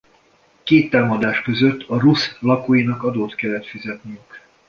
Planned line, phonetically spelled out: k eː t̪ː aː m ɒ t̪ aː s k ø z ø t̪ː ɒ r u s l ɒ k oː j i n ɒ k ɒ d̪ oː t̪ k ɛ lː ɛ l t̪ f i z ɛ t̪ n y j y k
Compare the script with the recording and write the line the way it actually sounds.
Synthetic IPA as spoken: k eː t̪ː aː m ɒ d̪ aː ʃ k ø z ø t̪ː ɒ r u s l ɒ k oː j i n ɒ k ɒ d̪ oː t̪ k ɛ lː ɛ t̪ f i z ɛ t̪ n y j y k

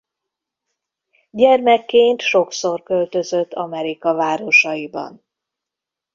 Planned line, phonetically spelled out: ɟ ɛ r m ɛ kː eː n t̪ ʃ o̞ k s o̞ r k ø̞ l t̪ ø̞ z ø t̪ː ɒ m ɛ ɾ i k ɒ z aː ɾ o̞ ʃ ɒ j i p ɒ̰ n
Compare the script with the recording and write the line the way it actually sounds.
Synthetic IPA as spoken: ɟ ɛ r m ɛ kː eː n t̪ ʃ o̞ k s o̞ r k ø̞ l t̪ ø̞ z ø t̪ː ɒ m ɛ ɾ i k ɒ v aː ɾ o̞ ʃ ɒ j i b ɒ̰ n

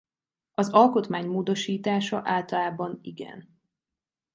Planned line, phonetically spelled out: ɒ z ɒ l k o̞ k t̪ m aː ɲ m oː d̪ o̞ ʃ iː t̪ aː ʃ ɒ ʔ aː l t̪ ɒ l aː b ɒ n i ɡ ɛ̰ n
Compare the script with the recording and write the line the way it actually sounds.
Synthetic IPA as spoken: ɒ z ɒ l k o̞ t̪ m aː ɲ m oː d̪ o̞ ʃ iː t̪ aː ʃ ɒ ʔ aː l t̪ ɒ l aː b ɒ n i ɡ ɛ̰ n

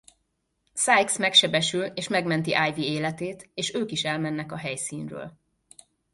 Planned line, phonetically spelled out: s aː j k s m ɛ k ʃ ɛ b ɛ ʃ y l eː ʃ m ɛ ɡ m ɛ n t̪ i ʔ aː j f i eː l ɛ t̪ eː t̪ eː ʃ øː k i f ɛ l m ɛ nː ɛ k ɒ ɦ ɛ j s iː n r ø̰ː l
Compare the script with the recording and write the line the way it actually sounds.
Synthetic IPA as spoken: s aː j k s m ɛ k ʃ ɛ b ɛ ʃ y l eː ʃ m ɛ ɡ m ɛ n t̪ i ʔ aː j v i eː l ɛ t̪ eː t̪ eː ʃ øː k i ʃ ɛ l m ɛ nː ɛ k ɒ ɦ ɛ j s iː n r ø̰ː l

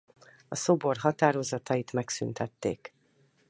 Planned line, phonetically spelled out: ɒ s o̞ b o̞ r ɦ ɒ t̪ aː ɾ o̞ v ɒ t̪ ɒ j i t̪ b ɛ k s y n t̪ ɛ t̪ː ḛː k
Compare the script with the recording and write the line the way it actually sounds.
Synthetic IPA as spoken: ɒ s o̞ b o̞ r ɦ ɒ t̪ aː ɾ o̞ z ɒ t̪ ɒ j i t̪ m ɛ k s y n t̪ ɛ t̪ː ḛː k

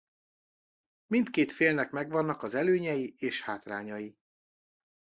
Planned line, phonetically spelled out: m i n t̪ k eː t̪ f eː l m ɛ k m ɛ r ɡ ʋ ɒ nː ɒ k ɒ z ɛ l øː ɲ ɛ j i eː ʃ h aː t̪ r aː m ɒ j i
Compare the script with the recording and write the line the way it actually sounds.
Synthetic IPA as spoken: m i n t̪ k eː t̪ f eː l n ɛ k m ɛ ɡ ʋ ɒ nː ɒ k ɒ z ɛ l øː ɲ ɛ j i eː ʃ h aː t̪ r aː ɲ ɒ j i

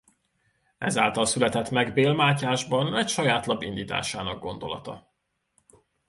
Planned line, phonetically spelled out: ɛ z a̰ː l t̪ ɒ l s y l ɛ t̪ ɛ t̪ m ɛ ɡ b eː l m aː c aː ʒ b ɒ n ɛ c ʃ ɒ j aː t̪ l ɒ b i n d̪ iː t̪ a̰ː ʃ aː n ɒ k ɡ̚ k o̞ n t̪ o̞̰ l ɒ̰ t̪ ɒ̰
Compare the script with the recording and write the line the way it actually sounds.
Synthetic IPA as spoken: ɛ z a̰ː l t̪ ɒ l s y l ɛ t̪ ɛ t̪ m ɛ ɡ b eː l m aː c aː ʒ b ɒ n ɛ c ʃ ɒ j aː t̪ l ɒ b i n d̪ iː t̪ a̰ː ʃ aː n ɒ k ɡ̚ ɡ o̞ n d̪ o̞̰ l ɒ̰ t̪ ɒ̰

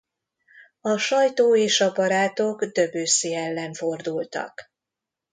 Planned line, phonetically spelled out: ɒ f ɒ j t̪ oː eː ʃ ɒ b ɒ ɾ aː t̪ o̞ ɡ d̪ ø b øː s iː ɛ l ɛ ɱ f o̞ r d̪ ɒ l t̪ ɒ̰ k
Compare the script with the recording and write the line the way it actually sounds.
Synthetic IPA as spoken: ɒ ʃ ɒ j t̪ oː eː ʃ ɒ b ɒ ɾ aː t̪ o̞ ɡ d̪ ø b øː s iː ɛ lː ɛ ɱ f o̞ r d̪ u l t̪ ɒ̰ k

